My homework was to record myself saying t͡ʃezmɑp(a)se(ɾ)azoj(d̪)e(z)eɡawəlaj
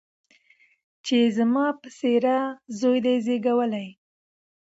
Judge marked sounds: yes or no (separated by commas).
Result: no, yes, yes, yes